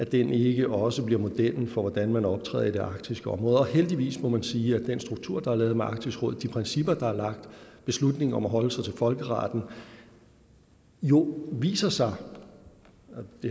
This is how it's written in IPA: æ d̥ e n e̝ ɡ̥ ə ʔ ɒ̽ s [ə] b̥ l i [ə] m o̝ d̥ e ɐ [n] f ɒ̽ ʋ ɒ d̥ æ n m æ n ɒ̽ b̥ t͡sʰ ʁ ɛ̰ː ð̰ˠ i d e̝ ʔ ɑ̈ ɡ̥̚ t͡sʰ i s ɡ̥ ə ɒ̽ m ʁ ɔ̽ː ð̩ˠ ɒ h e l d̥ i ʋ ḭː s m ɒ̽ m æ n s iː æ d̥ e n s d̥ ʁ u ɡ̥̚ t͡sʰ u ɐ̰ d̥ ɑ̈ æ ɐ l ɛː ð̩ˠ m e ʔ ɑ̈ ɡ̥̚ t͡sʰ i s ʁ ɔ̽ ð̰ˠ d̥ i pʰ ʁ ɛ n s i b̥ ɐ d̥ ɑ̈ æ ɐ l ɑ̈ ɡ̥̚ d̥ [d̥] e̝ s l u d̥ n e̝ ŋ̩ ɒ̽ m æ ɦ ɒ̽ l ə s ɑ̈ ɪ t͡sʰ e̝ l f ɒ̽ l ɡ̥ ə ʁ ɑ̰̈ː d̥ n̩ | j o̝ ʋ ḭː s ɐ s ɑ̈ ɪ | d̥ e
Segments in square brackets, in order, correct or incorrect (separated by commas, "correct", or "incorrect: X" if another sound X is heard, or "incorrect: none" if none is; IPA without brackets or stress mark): correct, incorrect: ɐ, correct, incorrect: b̥